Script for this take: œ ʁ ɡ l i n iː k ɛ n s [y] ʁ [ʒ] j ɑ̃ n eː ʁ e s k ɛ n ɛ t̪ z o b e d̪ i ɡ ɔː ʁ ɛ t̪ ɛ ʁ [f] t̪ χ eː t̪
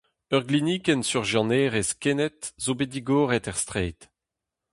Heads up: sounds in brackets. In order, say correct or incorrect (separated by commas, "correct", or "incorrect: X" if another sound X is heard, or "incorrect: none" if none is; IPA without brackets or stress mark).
correct, correct, incorrect: s